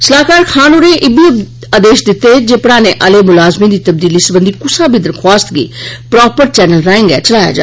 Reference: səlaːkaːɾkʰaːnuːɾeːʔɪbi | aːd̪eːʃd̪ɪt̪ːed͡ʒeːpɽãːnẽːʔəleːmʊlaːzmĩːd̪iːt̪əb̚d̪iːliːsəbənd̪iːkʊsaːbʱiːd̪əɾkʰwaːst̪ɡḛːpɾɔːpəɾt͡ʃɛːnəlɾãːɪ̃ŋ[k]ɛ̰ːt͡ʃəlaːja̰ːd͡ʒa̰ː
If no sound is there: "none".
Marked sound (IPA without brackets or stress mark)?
ɡ